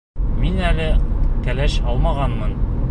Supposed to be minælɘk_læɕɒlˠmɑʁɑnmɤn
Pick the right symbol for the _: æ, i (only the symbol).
æ